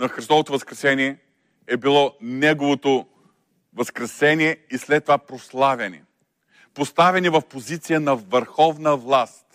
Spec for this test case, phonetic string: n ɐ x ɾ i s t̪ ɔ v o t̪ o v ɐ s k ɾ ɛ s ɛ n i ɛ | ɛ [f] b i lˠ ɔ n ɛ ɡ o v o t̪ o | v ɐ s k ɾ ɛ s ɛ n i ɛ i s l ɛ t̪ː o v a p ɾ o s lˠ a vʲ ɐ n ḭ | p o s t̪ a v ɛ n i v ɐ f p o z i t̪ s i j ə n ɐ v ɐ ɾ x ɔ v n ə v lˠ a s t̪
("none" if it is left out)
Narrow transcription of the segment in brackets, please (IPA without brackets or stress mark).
none